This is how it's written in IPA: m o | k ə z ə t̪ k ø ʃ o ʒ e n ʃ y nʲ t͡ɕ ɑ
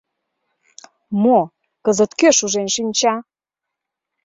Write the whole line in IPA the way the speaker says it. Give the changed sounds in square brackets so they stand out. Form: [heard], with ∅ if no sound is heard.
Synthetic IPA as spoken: m o | k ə z ə t̪ k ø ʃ [u] ʒ e n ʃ [i] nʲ t͡ɕ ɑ